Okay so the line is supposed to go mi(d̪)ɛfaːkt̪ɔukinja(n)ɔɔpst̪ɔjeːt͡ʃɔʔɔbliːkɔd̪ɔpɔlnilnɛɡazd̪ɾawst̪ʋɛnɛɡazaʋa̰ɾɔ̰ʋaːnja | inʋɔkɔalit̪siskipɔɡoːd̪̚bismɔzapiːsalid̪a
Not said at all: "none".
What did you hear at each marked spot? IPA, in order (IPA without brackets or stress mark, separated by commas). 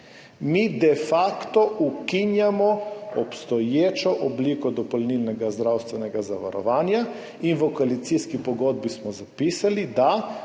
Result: d̪, m